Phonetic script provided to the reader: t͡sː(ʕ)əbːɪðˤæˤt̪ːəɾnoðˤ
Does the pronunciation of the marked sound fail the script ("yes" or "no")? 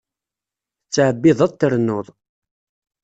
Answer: no